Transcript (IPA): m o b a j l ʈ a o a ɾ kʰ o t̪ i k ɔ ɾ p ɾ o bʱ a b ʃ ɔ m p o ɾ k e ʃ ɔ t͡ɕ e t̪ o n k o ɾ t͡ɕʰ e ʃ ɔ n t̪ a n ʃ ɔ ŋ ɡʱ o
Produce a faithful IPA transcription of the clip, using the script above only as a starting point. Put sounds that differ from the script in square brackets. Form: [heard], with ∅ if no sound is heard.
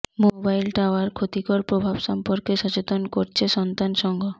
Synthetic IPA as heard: m o b a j l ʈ a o a ɾ kʰ o t̪ i k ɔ ɾ p ɾ o bʱ a b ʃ ɔ m p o ɾ k e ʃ ɔ t͡ɕ e t̪ o n k o ɾ t͡ɕʰ e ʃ ɔ n t̪ a n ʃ ɔ ŋ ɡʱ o